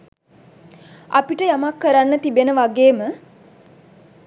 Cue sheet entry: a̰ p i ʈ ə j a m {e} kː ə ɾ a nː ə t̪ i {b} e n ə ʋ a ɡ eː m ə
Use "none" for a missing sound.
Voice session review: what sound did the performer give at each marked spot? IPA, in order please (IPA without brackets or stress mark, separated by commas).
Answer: a, b